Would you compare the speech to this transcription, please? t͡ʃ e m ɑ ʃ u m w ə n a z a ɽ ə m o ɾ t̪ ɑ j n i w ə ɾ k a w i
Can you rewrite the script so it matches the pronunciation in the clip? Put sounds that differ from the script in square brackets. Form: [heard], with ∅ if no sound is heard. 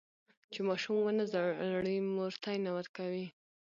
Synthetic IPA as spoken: t͡ʃ e m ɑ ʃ u m w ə n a z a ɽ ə m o ɾ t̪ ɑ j n [a] w ə ɾ k a w i